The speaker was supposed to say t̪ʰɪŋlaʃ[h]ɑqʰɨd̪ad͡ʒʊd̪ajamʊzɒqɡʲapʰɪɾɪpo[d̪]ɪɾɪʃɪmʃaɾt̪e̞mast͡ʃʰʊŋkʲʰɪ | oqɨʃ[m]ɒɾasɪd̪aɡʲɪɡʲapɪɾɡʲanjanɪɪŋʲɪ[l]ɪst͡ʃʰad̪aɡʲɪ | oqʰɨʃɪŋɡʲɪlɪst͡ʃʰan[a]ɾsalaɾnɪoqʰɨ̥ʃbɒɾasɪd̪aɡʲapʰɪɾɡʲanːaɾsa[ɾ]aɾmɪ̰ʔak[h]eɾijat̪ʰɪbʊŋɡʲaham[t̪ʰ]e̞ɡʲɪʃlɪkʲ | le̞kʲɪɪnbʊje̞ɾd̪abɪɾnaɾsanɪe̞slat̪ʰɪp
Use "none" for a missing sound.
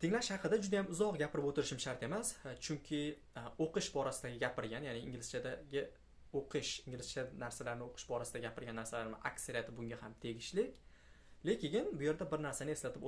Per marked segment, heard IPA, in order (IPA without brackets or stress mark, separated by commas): h, t̪, b, l, a, l, s, t̪ʰ